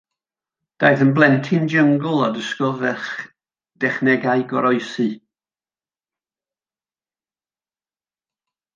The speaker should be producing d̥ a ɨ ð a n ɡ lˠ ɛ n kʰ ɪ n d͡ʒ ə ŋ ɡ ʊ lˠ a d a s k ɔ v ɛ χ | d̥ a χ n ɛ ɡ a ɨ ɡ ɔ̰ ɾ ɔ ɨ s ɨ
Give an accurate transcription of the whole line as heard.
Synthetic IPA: d̥ a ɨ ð ə n b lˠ ɛ n tʰ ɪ n d͡ʒ ə ŋ ɡ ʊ lˠ a d ə s k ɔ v ɛ χ | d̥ ɛ χ n ɛ ɡ a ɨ ɡ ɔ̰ ɾ ɔ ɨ s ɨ